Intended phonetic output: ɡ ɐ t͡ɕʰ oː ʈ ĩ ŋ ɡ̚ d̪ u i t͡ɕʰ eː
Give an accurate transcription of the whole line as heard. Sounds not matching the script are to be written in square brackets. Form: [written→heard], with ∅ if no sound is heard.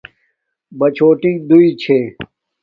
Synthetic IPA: [ɡ→b] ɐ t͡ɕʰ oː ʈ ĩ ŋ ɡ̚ d̪ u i t͡ɕʰ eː